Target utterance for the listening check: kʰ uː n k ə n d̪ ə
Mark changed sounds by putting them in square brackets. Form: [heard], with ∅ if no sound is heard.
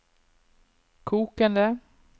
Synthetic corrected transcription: kʰ uː [∅] k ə n d̪ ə